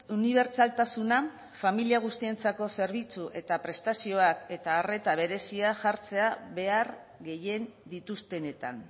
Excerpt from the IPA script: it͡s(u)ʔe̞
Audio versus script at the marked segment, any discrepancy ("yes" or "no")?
no